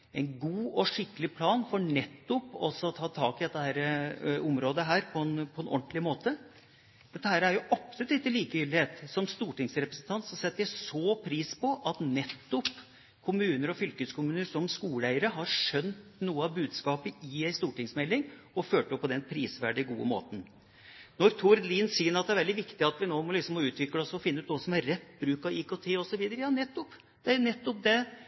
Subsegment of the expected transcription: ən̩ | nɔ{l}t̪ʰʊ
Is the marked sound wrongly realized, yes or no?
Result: yes